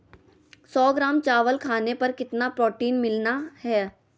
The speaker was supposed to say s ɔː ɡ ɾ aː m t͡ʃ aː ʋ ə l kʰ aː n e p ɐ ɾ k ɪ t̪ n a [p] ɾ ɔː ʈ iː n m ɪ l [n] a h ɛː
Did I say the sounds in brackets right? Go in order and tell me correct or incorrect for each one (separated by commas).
correct, correct